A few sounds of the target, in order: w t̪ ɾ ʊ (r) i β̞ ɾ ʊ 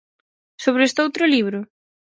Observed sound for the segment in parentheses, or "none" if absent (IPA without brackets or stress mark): l